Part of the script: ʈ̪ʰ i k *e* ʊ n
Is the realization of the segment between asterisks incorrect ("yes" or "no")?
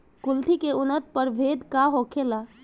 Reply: no